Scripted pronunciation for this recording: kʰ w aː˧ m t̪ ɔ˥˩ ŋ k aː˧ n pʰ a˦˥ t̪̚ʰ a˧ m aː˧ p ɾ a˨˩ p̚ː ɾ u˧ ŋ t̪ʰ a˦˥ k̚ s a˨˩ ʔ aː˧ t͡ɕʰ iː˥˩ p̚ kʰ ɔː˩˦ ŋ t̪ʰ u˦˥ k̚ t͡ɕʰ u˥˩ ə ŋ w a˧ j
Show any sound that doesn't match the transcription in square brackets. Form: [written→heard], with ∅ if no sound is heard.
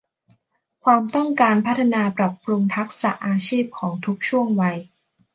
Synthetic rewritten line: kʰ w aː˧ m t̪ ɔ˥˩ ŋ k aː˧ n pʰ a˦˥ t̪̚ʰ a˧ [m→n] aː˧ p ɾ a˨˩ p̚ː ɾ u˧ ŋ t̪ʰ a˦˥ k̚ s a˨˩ ʔ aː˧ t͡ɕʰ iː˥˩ p̚ kʰ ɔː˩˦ ŋ t̪ʰ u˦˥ k̚ t͡ɕʰ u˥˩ ə ŋ w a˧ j